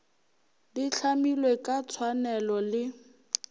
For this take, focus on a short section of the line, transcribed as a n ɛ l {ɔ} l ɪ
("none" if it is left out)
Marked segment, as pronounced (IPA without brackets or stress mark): ɔ